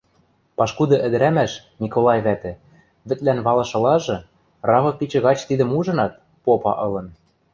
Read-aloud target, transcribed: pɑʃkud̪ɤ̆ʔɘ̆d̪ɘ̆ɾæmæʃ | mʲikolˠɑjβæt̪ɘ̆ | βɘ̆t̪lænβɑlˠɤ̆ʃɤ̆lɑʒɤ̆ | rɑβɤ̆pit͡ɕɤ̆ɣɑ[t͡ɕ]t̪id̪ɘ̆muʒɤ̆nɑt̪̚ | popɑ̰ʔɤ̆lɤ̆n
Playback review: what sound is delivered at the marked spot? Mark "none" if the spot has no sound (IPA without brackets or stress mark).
t͡ɕ